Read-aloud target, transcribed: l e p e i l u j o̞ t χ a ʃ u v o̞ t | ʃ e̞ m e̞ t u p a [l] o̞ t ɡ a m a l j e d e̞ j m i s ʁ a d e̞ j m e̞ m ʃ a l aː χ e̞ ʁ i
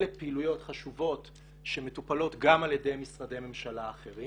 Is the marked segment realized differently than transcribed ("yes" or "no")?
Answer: no